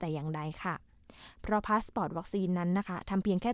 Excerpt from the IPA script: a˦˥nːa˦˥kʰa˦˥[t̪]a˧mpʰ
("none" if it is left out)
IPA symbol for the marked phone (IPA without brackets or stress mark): t̪ʰ